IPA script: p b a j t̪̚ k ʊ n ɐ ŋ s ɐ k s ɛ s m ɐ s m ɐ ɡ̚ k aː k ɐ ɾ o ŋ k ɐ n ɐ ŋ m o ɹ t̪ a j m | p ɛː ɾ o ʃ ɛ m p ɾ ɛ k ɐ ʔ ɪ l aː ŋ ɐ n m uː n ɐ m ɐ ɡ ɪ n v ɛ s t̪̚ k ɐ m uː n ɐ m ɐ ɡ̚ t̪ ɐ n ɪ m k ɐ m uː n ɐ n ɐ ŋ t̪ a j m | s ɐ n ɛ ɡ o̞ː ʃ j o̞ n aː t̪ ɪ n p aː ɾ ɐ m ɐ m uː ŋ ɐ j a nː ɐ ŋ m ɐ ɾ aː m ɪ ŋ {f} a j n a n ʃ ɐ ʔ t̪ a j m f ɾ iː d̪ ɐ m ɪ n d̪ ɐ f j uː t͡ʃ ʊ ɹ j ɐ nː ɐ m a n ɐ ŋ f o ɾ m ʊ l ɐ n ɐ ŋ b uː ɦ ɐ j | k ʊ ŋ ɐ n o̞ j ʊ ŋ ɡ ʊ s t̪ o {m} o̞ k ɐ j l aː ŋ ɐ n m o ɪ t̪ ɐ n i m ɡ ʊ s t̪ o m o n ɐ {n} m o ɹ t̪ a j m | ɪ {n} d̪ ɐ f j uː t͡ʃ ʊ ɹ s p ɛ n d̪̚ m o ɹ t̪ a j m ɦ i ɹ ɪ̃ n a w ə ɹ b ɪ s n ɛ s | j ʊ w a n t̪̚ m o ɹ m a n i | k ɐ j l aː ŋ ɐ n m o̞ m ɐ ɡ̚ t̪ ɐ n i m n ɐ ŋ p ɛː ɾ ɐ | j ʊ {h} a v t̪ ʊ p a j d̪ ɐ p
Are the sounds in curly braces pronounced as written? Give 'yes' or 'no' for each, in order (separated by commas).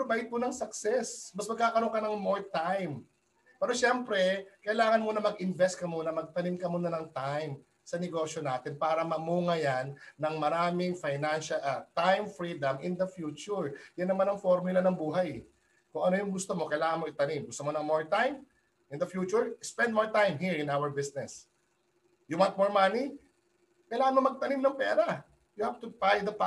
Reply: yes, yes, no, yes, yes